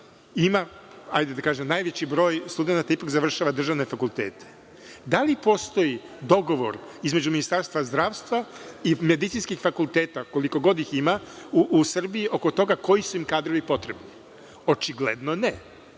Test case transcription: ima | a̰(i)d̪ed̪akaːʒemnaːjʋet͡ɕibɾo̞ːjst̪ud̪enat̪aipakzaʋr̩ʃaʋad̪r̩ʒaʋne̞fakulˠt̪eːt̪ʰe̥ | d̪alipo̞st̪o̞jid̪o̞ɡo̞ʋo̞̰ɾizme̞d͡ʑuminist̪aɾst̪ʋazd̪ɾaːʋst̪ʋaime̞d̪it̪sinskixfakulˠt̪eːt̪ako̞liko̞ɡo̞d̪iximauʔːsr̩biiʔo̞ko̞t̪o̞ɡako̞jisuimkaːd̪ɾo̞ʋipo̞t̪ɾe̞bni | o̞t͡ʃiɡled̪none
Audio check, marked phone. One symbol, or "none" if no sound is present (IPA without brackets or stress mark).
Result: j